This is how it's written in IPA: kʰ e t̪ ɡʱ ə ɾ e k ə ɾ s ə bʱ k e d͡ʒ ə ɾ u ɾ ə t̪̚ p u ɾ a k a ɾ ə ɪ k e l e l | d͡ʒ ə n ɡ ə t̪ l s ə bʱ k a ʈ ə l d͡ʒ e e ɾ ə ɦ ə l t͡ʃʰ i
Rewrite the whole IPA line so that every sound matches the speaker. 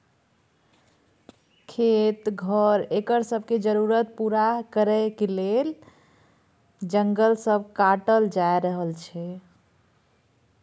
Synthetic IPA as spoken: kʰ e t̪ ɡʱ ə ɾ e k ə ɾ s ə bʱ k e d͡ʒ ə ɾ u ɾ ə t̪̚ p u ɾ a k ə ɾ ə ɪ k e l e l | d͡ʒ ə ŋ ɡ ə l s ə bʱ k a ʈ ə l d͡ʒ a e ɾ ə ɦ ə l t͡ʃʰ ɛ